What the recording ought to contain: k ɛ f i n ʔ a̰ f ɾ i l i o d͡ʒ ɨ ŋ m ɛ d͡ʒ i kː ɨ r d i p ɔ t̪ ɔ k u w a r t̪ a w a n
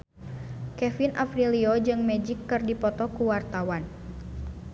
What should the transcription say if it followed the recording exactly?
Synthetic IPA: k ɛ f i n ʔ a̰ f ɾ i l i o d͡ʒ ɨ ŋ m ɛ d͡ʒ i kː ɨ r d i p ɔ t̪ ɔ k u w a r t̪ a w a n